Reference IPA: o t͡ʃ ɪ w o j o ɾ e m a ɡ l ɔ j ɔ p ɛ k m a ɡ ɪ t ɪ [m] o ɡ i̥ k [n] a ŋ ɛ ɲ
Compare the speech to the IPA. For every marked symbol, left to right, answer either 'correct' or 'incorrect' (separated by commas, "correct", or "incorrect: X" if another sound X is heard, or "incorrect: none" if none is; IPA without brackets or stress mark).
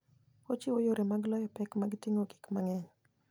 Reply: incorrect: ŋ, incorrect: m